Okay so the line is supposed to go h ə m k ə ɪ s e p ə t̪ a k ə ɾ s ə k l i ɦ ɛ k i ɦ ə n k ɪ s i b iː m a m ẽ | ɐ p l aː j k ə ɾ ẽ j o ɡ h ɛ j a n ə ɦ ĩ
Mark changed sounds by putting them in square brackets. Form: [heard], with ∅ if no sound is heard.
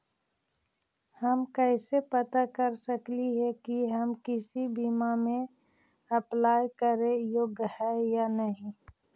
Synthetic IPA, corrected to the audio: h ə m k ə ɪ s e p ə t̪ a k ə ɾ s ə k l i ɦ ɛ k i ɦ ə [m] k ɪ s i b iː m a m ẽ | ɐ p l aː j k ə ɾ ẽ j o ɡ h ɛ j a n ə ɦ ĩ